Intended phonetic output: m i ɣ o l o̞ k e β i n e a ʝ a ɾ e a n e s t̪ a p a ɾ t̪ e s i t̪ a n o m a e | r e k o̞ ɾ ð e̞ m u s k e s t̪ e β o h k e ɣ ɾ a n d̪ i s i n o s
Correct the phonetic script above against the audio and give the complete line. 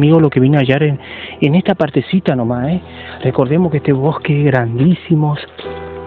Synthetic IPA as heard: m i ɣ o l o̞ k e β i n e a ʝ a ɾ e e n e s t̪ a p a ɾ t̪ e s i t̪ a n o m a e | r e k o̞ ɾ ð e̞ m o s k e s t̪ e β o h k e ɣ ɾ a n d̪ i s i m o s